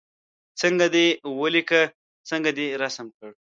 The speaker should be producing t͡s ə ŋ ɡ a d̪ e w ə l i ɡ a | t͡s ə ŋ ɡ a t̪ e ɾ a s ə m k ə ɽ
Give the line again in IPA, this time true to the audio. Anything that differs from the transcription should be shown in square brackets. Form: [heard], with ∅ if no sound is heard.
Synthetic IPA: t͡s ə ŋ ɡ a d̪ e w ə l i [k] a | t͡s ə ŋ ɡ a [d̪] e ɾ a s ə m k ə ɽ